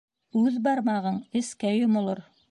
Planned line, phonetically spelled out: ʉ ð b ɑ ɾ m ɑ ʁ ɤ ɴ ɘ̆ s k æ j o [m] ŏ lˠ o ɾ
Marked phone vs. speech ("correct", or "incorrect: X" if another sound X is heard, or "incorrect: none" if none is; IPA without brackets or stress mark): correct